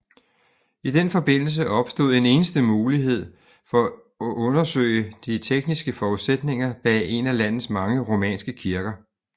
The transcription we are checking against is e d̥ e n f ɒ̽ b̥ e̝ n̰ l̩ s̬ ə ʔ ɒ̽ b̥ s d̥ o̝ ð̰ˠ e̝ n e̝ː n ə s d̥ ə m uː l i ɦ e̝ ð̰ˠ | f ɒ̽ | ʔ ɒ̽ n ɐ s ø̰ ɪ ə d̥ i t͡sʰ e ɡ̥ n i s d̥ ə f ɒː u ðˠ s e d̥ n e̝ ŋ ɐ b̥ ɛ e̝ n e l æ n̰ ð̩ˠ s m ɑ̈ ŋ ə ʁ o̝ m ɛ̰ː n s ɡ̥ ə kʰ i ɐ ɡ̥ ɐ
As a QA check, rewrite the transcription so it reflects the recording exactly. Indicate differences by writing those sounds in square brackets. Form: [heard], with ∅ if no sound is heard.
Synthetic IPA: [i] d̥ e n f ɒ̽ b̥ e̝ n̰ l̩ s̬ ə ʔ ɒ̽ b̥ s d̥ o̝ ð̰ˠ e̝ n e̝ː n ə s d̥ ə m uː l i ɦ e̝ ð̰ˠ | f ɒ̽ | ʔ [ɔ̽] n ɐ s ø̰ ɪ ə d̥ i t͡sʰ e ɡ̥ n i s [ɡ̥] ə f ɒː u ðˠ s e d̥ n e̝ ŋ ɐ b̥ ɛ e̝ n [æ] l æ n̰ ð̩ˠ s m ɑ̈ ŋ ə ʁ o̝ m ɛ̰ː n s ɡ̥ ə kʰ i ɐ ɡ̥ ɐ